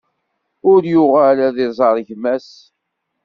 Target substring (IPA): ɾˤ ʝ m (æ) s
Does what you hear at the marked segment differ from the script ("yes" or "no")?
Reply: no